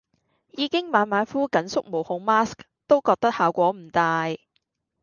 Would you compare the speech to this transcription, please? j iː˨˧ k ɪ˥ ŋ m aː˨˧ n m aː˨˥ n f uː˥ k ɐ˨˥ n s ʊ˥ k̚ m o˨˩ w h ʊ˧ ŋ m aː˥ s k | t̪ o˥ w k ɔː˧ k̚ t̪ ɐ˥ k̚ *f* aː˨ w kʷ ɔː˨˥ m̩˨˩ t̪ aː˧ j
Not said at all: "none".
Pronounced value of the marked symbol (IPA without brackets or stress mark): h